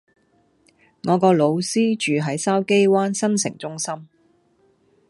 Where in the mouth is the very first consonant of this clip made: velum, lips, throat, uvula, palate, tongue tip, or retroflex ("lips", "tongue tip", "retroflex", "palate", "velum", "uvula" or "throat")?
velum